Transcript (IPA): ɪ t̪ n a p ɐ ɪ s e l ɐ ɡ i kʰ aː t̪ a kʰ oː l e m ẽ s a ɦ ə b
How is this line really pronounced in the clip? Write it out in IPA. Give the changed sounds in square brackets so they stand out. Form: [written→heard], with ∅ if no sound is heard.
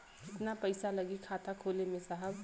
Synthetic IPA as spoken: ɪ t̪ n a p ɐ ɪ s [e→a] l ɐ ɡ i kʰ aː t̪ a kʰ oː l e m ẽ s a ɦ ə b